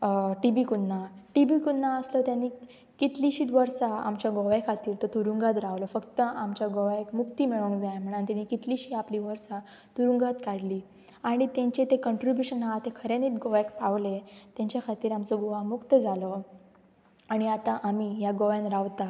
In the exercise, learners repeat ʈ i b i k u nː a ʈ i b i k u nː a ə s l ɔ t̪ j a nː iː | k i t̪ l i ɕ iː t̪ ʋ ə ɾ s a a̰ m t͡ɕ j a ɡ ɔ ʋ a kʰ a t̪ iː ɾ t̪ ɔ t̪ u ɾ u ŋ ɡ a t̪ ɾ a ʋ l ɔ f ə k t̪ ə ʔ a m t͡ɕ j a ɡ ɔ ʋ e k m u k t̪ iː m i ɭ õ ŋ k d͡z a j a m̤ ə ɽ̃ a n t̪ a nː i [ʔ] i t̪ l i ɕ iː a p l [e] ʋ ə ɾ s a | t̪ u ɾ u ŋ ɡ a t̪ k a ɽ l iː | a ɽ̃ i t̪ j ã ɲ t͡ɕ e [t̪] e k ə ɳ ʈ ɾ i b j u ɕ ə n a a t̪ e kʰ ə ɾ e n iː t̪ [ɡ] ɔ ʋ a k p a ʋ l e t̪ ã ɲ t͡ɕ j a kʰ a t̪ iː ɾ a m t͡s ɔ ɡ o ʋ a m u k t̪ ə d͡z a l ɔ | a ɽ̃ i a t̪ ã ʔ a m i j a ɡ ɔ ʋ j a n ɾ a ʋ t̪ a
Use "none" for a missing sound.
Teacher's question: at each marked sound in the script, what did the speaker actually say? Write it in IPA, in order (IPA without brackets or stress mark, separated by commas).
k, i, t̪, ɡ